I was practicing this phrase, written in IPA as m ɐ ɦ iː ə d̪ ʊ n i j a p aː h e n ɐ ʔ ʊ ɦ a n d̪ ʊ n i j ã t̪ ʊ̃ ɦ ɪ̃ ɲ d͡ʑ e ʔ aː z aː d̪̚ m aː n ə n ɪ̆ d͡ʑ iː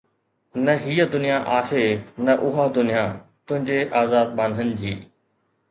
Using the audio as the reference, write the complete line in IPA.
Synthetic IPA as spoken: n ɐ ɦ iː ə d̪ ʊ n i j a ʔ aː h e n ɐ ʔ ʊ ɦ a d̪ ʊ n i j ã t̪ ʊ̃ ɦ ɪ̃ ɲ d͡ʑ e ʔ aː z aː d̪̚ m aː n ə n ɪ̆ d͡ʑ iː